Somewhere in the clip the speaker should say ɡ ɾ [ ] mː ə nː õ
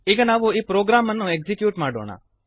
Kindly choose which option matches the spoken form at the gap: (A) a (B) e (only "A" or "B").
A